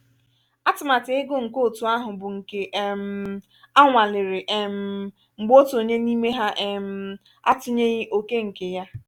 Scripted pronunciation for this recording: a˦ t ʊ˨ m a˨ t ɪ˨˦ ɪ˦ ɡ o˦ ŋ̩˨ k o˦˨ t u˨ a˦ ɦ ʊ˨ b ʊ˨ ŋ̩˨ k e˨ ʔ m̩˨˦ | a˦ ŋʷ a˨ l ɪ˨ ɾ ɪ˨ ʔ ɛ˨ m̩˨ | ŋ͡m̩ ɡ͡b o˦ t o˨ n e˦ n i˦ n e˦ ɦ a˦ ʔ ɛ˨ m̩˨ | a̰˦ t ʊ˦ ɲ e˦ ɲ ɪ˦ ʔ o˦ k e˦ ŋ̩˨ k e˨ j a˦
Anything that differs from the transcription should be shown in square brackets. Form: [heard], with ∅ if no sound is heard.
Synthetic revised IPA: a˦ t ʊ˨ m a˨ t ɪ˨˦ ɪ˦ ɡ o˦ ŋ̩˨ k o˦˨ t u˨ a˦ ɦ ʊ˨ b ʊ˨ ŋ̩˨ k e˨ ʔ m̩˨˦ | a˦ ŋʷ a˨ l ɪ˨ ɾ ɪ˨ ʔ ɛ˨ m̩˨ | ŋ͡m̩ ɡ͡b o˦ t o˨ [ɲ] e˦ n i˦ [m] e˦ ɦ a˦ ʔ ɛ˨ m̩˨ | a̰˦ t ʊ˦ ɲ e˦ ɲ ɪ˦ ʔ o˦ k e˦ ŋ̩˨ k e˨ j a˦